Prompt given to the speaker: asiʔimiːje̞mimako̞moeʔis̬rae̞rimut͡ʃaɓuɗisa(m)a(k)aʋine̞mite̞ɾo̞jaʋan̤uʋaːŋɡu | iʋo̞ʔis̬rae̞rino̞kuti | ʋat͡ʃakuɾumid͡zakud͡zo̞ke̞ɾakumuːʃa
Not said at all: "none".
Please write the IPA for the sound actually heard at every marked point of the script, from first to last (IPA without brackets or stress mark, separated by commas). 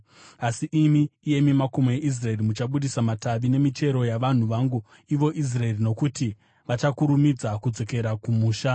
m, t